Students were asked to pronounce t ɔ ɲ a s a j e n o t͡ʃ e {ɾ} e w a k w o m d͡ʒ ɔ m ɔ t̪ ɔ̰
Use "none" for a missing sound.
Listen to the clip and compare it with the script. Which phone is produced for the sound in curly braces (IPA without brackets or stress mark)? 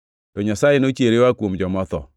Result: ɾ